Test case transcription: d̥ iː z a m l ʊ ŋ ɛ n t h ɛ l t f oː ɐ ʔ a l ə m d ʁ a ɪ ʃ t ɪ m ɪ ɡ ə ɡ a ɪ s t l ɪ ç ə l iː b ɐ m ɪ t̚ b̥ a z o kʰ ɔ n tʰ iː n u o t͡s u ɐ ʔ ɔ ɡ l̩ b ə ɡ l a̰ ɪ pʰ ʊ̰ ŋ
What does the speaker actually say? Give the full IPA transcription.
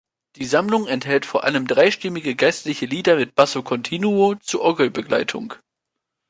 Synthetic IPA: d̥ iː z a m l ʊ ŋ ɛ n t h ɛ l t f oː ɐ ʔ a l ə m d ʁ a ɪ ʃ t ɪ m ɪ ɡ ə ɡ a ɪ s t l ɪ ç ə l iː d ɐ m ɪ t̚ b̥ a s o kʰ ɔ n tʰ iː n u o t͡s u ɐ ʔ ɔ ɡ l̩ b ə ɡ l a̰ ɪ tʰ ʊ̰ ŋ